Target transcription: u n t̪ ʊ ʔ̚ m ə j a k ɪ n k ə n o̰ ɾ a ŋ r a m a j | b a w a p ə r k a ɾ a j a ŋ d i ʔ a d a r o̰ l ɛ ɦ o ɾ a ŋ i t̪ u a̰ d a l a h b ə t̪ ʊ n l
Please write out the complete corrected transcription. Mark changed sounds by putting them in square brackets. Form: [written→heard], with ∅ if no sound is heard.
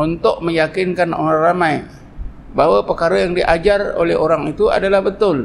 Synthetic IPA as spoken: u n t̪ ʊ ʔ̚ m ə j a k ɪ n k [ə→a] n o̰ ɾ a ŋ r a m a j | b a w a p ə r k a ɾ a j a ŋ d i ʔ a [d→d͡ʒ] a r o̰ l ɛ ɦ o ɾ a ŋ i t̪ u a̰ d a l a h b ə t̪ ʊ [n→∅] l